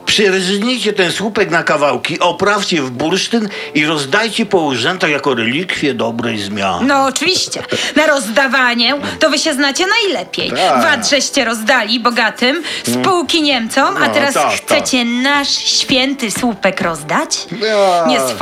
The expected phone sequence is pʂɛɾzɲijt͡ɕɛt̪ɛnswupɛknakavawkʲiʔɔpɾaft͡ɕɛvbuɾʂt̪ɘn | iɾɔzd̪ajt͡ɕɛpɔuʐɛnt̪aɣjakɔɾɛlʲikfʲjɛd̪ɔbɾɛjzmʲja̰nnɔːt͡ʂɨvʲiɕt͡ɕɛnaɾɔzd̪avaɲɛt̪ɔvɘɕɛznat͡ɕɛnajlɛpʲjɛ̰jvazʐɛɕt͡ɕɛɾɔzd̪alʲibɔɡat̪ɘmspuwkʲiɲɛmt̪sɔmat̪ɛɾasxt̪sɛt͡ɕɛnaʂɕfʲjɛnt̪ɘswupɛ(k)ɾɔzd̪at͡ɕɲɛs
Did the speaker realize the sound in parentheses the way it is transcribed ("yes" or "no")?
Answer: yes